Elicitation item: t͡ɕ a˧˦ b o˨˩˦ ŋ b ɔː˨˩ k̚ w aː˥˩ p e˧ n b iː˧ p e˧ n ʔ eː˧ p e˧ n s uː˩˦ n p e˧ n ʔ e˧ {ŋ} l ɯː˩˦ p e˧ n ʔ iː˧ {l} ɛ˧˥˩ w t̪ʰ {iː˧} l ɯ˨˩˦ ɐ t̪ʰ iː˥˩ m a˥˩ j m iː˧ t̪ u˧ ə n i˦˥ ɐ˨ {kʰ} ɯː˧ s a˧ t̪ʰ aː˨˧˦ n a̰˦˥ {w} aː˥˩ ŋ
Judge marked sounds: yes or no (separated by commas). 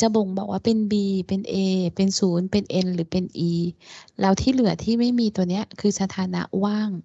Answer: no, yes, no, yes, yes